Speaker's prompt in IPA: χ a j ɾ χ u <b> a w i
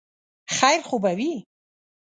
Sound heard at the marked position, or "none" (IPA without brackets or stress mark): b